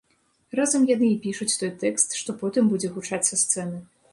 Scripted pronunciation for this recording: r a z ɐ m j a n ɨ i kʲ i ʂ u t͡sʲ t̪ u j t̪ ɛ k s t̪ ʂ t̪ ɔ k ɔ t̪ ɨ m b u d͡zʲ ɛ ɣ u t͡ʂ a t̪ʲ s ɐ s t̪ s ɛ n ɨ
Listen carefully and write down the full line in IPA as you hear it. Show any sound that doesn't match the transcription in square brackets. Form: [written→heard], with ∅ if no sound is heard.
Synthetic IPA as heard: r a z ɐ m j a n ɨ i [kʲ→pʲ] i ʂ u t͡sʲ t̪ [u→ɔ] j t̪ ɛ k s t̪ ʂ t̪ ɔ [k→p] ɔ t̪ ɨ m b u d͡zʲ ɛ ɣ u t͡ʂ a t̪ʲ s ɐ s t̪ s ɛ n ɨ